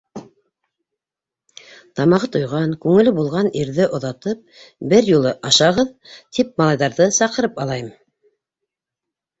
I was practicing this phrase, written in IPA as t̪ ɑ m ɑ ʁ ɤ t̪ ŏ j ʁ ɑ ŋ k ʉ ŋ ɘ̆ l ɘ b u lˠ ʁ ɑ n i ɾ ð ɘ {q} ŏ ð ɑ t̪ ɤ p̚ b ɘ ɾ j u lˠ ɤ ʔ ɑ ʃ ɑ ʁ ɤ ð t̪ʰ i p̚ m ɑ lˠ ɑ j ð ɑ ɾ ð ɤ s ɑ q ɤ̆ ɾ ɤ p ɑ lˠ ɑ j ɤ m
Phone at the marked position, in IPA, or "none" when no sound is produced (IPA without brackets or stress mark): ʔ